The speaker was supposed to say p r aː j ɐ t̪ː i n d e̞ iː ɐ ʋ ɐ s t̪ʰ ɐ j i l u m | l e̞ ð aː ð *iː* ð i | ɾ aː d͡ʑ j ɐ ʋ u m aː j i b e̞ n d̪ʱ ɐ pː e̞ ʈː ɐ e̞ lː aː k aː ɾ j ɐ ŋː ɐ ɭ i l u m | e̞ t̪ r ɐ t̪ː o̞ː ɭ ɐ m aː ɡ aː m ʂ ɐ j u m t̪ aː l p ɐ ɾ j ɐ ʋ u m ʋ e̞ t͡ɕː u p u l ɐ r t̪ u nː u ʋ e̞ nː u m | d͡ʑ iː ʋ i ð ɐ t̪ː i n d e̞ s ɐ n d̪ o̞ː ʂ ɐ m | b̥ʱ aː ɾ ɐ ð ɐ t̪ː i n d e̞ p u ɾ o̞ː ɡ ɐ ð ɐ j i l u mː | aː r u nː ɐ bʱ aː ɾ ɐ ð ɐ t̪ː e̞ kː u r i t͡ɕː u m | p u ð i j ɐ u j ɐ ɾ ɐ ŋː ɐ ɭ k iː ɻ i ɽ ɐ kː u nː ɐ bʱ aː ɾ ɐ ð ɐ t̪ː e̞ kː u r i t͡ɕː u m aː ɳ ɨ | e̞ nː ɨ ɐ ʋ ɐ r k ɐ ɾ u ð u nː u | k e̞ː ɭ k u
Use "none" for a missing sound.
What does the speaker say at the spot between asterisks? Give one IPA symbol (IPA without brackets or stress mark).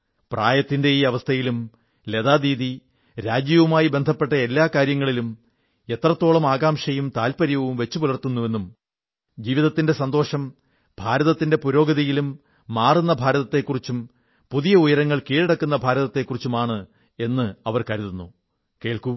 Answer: iː